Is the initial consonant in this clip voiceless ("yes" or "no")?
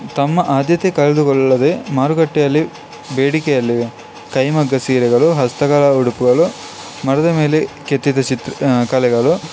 yes